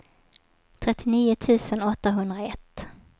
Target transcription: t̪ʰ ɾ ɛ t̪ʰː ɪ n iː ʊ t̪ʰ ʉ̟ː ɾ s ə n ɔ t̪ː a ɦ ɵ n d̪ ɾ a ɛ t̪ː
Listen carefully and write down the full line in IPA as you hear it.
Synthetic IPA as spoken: t̪ʰ ɾ ɛ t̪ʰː ɪ n iː ʊ t̪ʰ ʉ̟ː s ə n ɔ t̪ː a ɦ ɵ n d̪ ɾ a ɛ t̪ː